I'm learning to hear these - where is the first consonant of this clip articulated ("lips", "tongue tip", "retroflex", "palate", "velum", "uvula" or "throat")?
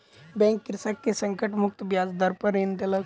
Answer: lips